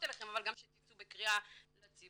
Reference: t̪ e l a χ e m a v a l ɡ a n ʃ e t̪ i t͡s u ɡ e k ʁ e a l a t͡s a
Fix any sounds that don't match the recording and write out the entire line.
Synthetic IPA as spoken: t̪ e l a χ e m a v a l ɡ a m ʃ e t̪ i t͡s u b e k ʁ i a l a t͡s i